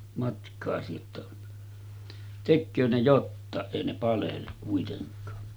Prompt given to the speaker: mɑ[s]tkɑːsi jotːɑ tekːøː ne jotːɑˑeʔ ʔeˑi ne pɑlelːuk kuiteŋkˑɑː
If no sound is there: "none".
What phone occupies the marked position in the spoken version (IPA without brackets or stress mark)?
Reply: none